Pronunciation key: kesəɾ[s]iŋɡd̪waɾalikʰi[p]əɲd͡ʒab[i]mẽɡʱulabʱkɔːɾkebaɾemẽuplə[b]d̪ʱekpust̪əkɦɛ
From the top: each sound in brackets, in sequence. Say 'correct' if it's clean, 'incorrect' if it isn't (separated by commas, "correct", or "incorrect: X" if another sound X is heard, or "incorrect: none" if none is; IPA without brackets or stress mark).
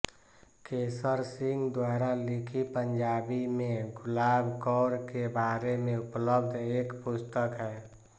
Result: correct, correct, correct, correct